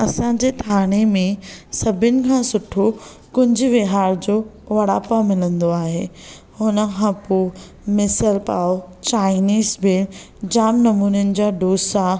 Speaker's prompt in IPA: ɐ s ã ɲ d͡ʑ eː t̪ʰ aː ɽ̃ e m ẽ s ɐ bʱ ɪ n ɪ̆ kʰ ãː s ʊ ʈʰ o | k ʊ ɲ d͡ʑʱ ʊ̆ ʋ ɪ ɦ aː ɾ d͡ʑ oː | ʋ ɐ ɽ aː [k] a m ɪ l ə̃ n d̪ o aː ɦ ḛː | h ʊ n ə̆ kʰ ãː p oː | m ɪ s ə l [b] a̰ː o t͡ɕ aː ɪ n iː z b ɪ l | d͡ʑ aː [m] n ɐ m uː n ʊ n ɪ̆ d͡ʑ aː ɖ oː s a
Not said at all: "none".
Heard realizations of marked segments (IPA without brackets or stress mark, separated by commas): p, p, m